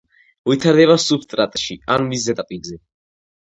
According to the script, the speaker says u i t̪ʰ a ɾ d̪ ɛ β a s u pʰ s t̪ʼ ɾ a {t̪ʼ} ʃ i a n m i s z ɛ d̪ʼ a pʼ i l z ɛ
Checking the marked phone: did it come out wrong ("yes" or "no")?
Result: no